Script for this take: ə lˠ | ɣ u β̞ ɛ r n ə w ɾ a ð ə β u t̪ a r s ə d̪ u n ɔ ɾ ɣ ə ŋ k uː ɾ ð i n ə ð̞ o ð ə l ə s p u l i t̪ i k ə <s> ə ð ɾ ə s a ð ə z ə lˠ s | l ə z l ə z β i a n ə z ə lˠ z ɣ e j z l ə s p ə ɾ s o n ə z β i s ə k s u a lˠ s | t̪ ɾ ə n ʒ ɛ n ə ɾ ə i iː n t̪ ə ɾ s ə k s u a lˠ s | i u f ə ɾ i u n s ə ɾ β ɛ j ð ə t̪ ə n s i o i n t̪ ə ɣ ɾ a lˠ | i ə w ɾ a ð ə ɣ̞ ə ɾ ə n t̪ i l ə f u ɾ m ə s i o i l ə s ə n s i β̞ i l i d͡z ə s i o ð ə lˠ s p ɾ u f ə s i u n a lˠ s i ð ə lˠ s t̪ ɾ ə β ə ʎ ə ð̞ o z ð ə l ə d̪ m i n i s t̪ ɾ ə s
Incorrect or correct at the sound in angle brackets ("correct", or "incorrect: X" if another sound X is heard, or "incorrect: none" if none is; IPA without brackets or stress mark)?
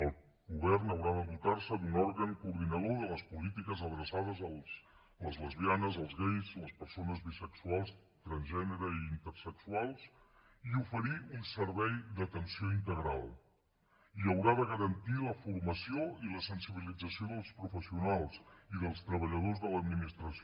incorrect: z